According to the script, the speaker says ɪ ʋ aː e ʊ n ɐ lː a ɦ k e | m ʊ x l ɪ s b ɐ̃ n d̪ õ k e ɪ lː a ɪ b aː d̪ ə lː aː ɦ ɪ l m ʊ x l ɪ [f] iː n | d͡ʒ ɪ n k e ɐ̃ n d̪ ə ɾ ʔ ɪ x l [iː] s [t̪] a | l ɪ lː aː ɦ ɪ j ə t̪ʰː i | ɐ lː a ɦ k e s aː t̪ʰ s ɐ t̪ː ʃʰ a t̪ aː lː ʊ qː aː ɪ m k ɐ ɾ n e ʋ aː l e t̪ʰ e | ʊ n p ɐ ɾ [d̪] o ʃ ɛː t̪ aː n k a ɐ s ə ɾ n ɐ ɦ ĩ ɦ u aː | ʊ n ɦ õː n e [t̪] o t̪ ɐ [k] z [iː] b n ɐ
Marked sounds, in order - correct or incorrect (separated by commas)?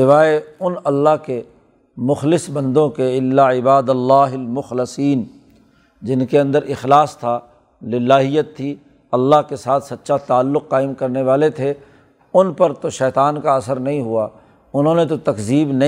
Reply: incorrect, incorrect, incorrect, incorrect, correct, correct, correct